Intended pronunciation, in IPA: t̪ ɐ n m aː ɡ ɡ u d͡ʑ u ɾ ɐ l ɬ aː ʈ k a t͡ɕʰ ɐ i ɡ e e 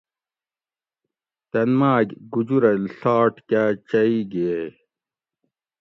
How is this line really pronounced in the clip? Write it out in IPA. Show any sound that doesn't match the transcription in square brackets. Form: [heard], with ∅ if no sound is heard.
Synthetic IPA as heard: t̪ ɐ n m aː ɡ ɡ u d͡ʑ u ɾ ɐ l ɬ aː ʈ k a [t͡ɕ] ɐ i ɡ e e